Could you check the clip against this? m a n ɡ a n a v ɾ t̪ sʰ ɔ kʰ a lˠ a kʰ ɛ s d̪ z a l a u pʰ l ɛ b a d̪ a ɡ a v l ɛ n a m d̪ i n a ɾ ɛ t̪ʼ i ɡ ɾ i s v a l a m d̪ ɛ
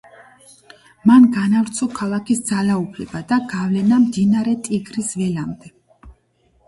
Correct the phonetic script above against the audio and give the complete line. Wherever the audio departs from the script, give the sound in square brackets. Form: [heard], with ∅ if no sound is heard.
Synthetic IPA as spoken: m a n ɡ a n a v ɾ t̪ sʰ ɔ kʰ a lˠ a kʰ [i] s d̪ z a l a u pʰ l ɛ b a d̪ a ɡ a v l ɛ n a m d̪ i n a ɾ ɛ t̪ʼ i ɡ ɾ i s v [ɛ] l a m d̪ ɛ